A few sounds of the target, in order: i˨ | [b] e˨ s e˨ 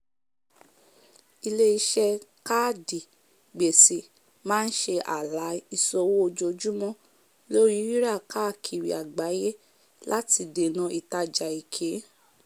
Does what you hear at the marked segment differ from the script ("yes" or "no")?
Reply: yes